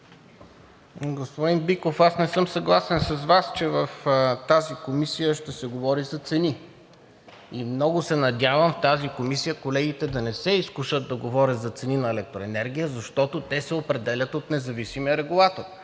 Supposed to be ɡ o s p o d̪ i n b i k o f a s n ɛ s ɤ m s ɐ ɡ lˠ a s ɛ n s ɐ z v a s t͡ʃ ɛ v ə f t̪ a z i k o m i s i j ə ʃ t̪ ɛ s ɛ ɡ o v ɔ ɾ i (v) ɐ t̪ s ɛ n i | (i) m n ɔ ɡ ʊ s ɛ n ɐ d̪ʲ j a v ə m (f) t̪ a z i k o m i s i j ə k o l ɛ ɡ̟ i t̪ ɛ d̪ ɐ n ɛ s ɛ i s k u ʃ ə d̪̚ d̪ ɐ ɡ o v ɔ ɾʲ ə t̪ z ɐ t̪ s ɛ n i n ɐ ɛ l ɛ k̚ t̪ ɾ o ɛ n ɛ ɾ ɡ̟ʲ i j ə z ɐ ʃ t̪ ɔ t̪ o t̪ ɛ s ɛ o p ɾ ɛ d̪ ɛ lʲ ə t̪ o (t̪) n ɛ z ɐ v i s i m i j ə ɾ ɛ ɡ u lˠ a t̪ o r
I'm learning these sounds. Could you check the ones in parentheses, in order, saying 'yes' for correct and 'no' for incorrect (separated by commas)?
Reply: no, yes, yes, yes